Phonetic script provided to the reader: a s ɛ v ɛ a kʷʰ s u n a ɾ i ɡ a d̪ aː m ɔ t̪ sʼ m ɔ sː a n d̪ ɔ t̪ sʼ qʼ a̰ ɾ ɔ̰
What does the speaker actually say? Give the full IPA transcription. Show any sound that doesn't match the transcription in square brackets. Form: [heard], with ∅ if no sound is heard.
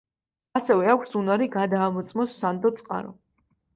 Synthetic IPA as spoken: a s ɛ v ɛ a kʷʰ s u n a ɾ i ɡ a d̪ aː m ɔ t̪ sʼ m ɔ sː a n d̪ ɔ t̪ sʼ qʼ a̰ ɾ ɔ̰